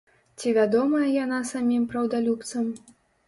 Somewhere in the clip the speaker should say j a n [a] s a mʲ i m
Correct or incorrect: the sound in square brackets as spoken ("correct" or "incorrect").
correct